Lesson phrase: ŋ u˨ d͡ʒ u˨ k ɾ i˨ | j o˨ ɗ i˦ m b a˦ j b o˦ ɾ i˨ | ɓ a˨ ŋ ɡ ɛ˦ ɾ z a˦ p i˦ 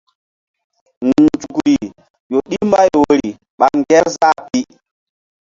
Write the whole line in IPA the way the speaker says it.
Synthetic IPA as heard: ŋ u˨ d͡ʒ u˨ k ɾ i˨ | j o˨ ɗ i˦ m b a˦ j w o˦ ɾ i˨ | ɓ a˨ ŋ ɡ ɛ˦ ɾ z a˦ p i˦